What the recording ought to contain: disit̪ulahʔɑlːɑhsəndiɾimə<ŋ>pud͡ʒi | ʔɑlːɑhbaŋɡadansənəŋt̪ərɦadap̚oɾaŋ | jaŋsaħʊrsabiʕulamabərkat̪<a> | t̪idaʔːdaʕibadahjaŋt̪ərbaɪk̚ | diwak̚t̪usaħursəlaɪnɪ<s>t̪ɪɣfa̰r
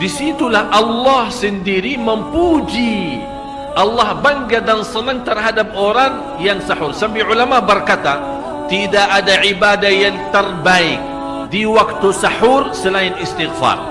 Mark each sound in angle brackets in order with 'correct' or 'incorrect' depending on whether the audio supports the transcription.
incorrect, correct, correct

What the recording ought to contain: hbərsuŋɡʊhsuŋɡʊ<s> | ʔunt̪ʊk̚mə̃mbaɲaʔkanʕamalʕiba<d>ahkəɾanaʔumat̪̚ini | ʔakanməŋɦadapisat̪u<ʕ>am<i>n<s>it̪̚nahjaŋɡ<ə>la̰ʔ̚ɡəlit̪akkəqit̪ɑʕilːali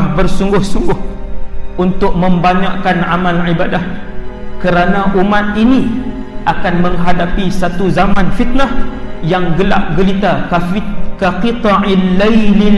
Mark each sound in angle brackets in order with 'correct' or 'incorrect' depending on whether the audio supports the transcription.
incorrect, correct, incorrect, incorrect, incorrect, correct

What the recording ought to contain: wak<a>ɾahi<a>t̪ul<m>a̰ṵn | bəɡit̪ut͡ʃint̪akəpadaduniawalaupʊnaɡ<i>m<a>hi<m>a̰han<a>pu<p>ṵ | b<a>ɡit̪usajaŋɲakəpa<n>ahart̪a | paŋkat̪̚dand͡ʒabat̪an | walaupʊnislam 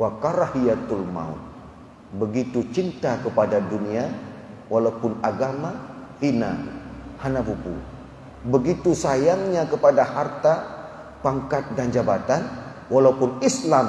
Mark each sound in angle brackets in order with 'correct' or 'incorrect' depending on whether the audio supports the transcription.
correct, correct, correct, incorrect, correct, incorrect, correct, correct, incorrect, incorrect

